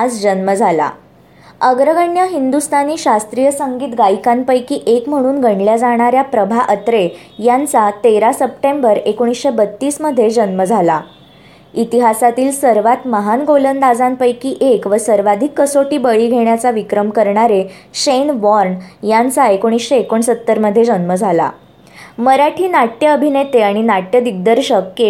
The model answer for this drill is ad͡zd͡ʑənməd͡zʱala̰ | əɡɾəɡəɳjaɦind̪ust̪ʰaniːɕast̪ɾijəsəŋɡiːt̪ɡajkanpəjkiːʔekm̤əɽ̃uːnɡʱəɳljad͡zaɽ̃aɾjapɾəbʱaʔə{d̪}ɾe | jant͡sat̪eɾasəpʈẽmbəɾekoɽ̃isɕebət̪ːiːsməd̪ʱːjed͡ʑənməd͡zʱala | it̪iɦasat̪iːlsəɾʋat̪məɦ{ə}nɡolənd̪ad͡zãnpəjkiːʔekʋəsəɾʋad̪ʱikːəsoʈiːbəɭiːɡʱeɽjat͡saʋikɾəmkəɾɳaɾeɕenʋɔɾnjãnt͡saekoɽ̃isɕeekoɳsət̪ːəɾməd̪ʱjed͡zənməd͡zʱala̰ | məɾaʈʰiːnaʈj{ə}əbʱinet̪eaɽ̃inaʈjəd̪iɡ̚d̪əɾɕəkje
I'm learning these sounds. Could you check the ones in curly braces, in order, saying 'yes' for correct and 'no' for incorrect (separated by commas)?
no, no, yes